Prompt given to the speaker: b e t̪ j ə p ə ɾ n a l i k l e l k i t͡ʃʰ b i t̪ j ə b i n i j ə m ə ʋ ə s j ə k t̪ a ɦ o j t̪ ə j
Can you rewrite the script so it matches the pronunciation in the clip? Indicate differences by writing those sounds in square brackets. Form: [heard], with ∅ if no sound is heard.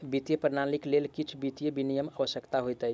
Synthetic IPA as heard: b [i] t̪ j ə p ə ɾ n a l i k l e l k i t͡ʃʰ b i t̪ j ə b i n i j ə m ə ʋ ə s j ə k t̪ a ɦ o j t̪ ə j